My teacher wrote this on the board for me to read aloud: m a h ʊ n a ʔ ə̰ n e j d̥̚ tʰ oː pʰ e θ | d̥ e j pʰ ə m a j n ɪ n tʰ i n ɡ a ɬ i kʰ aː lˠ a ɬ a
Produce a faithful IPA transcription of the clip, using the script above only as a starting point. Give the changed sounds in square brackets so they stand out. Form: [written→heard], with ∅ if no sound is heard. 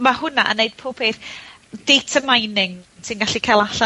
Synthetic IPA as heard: m a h ʊ n a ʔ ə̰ n e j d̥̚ [tʰ→pʰ] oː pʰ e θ | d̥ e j [pʰ→tʰ] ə m a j n ɪ [n→ŋ] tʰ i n ɡ a ɬ i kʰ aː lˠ a ɬ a

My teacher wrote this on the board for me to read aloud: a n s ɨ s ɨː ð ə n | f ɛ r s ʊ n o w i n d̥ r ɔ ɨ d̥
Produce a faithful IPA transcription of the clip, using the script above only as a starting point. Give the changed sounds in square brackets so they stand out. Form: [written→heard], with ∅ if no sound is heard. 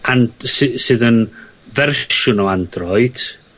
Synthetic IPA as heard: a n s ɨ s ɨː ð ə n | [f→v] ɛ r [s→ʃ] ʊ n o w [i→a] n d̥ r ɔ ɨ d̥

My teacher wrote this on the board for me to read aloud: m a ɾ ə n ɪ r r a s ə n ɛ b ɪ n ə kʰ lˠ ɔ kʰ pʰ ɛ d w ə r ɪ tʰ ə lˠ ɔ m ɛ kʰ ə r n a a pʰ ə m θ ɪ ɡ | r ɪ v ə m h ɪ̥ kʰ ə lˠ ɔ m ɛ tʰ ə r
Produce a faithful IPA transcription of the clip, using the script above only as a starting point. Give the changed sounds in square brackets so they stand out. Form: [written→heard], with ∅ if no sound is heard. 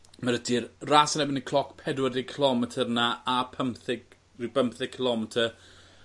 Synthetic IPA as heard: m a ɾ ə [n→d] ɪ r r a s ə n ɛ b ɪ n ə kʰ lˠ ɔ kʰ pʰ ɛ d w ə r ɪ [tʰ→kʰ] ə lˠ ɔ m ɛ [kʰ→tʰ] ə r n a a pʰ ə m θ ɪ ɡ | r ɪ [v→b] ə m [h→θ] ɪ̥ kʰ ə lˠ ɔ m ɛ tʰ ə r

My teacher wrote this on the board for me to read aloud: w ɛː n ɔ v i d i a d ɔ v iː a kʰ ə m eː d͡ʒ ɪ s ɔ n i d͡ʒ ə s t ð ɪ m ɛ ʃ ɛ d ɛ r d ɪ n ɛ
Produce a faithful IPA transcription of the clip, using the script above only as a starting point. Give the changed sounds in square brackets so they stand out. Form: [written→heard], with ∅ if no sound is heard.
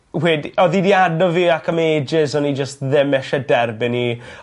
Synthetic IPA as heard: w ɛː [n→d] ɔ [v→ð] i d i a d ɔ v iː a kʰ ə m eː d͡ʒ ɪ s ɔ n i d͡ʒ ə s t ð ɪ m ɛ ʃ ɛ d ɛ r [d→b] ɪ n [ɛ→i]

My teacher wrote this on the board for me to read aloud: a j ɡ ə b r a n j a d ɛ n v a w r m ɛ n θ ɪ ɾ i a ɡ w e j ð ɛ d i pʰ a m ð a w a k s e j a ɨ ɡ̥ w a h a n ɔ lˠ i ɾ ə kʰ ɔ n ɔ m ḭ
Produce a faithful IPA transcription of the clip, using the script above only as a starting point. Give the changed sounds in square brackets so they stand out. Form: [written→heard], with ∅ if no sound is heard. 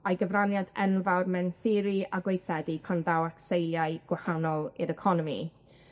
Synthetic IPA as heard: a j ɡ ə [b→v] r a n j a d ɛ n v a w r m ɛ n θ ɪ ɾ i a ɡ w e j [ð→θ] ɛ d i pʰ a [m→n] ð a w a k s e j a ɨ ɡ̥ w a h a n ɔ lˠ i ɾ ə kʰ ɔ n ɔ m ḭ

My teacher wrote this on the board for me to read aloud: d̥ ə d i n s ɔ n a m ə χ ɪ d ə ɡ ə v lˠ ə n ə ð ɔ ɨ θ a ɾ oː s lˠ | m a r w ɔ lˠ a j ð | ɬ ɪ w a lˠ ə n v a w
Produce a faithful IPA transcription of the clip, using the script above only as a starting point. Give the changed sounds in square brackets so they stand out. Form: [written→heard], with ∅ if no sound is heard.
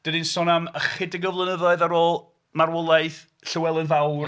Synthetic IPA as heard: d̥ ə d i n s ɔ n a m ə χ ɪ d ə ɡ ə v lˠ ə n ə ð ɔ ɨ [θ→ð] a ɾ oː [s→∅] lˠ | m a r w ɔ lˠ a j [ð→θ] | ɬ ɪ w [a→ɛ] lˠ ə n v a w

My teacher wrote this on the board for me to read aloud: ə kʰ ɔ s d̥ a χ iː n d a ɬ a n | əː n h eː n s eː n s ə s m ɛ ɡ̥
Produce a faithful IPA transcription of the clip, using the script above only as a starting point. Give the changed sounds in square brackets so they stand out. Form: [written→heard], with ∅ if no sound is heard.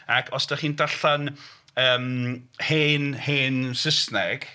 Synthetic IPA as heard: [ə→a] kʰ ɔ s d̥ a χ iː n d a ɬ a n | əː [n→m] h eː n [s→h] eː n s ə s [m→n] ɛ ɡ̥

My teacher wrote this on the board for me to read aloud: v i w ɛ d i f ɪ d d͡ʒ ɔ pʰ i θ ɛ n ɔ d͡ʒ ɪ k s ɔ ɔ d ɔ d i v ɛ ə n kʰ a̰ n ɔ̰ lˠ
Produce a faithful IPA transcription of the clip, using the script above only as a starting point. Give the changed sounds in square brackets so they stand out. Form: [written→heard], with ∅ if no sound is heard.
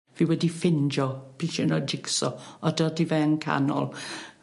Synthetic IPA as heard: v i w ɛ d i f ɪ [d→n] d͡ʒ ɔ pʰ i [θ→ʃ] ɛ n ɔ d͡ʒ ɪ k s ɔ ɔ d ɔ d i v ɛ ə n kʰ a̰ n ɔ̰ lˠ

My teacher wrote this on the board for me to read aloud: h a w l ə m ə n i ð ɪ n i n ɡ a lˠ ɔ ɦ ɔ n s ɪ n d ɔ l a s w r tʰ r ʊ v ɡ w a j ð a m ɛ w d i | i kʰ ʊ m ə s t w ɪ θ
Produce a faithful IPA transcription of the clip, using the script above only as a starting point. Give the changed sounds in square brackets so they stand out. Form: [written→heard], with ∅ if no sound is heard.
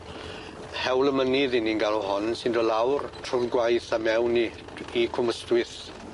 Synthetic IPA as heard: h [a→ɛ] w l ə m ə n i ð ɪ n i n ɡ a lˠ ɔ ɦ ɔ n s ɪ n d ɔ l a [s→∅] w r tʰ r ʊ v ɡ w a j [ð→θ] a m ɛ w [d→n] i | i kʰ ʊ m ə s t w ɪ θ

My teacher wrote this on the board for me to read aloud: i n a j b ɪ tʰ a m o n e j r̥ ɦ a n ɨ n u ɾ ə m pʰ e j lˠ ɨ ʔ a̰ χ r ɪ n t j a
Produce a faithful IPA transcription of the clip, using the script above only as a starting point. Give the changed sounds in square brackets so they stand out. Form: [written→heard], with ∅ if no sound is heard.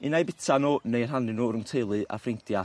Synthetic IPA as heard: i n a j b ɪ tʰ a [m→n] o n e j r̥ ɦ a n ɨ n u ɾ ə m [pʰ→tʰ] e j lˠ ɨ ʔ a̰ [χ→f] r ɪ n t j a

